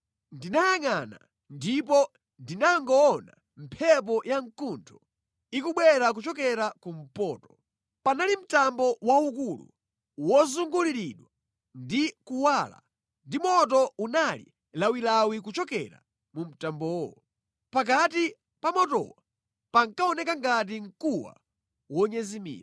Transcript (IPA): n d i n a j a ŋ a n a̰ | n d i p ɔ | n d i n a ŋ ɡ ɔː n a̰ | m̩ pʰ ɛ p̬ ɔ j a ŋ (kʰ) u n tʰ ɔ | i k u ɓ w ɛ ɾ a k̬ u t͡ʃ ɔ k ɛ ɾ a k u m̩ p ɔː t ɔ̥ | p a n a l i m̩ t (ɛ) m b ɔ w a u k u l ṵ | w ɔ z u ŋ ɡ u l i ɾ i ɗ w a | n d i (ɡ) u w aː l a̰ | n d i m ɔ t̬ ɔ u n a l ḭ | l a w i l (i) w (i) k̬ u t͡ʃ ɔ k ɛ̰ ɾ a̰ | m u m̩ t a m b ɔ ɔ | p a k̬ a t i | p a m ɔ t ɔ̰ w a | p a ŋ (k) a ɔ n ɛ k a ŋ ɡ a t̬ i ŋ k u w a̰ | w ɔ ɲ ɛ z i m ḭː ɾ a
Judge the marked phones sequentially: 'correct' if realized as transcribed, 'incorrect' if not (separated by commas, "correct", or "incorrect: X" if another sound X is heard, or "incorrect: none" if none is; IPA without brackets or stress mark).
incorrect: k, incorrect: a, incorrect: k, incorrect: a, correct, correct